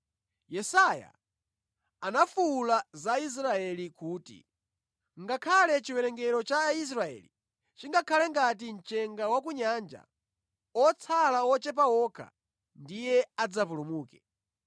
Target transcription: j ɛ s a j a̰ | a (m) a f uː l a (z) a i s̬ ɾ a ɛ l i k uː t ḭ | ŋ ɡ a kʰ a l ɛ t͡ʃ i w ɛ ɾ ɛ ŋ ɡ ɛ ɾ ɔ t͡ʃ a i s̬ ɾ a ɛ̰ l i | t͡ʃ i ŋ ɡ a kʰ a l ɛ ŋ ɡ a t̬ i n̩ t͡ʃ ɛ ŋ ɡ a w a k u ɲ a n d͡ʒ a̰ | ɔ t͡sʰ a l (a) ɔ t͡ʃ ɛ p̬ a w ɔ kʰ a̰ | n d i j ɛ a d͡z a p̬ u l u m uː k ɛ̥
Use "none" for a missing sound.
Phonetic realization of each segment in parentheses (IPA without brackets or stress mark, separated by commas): n, z, a